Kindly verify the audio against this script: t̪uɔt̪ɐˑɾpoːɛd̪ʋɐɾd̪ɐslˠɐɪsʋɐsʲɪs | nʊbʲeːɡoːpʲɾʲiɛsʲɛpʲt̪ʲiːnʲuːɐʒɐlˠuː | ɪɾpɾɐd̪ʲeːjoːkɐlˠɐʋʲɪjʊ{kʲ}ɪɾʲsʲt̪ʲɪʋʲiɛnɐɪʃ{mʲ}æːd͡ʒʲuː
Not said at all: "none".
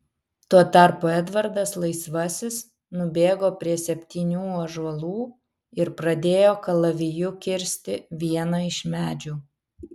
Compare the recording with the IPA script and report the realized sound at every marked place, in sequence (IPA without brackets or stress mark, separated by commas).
kʲ, mʲ